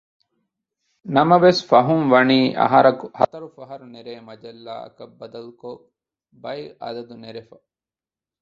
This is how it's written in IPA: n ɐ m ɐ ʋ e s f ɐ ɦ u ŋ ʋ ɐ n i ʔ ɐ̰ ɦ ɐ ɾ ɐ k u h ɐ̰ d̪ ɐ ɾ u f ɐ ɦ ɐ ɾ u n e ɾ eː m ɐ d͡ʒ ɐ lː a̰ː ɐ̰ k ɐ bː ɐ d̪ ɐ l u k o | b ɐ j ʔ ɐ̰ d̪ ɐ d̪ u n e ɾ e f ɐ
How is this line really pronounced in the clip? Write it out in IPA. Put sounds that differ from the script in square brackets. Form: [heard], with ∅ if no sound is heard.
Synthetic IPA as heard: n ɐ m ɐ ʋ e s f ɐ ɦ u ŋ ʋ ɐ n [iː] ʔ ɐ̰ ɦ ɐ ɾ ɐ k u h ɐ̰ [t̪] ɐ ɾ u f ɐ ɦ ɐ ɾ u n e ɾ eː m ɐ d͡ʒ ɐ lː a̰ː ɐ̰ k ɐ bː ɐ d̪ ɐ l u k o | b ɐ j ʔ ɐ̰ d̪ ɐ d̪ u n e ɾ e f ɐ